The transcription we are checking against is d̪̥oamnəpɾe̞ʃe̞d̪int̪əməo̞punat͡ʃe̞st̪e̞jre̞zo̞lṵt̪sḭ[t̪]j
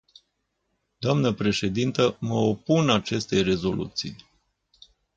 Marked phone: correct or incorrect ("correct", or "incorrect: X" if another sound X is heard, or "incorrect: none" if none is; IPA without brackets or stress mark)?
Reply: incorrect: none